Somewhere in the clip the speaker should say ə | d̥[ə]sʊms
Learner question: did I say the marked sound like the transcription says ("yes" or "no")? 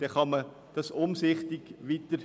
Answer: no